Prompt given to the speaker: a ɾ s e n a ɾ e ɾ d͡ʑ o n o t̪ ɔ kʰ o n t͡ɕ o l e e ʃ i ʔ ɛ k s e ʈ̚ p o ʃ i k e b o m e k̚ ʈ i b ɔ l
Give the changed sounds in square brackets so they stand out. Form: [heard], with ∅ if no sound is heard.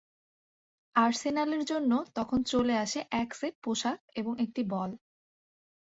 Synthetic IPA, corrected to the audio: a ɾ s e n a [l] e ɾ d͡ʑ o [nː] o t̪ ɔ kʰ o n t͡ɕ o l e [a] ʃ [e] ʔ ɛ k s e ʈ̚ p o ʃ [a] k e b o [ŋ] e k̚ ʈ i b ɔ l